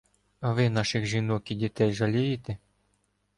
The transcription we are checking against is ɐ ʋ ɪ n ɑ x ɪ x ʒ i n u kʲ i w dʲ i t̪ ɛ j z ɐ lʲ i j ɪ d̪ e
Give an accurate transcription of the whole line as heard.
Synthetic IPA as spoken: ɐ ʋ ɪ n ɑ ʃ ɪ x ʒ i n ɔ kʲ i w dʲ i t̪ ɛ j ʒ ɐ lʲ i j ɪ t̪ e